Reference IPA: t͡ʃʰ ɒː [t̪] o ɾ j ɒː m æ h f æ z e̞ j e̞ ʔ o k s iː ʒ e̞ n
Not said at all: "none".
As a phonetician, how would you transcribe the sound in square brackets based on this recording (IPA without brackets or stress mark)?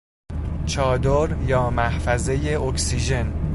d̪